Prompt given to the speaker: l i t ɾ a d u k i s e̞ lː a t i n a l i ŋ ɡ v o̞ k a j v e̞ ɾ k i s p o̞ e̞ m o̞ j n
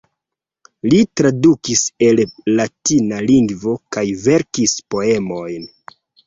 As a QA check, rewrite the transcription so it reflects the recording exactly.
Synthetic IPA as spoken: l i t ɾ a d u k i s e̞ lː a t i n a l i ŋ ɡ v o̞ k a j v e̞ ɾ k i s p o̞ e̞ m o̞ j n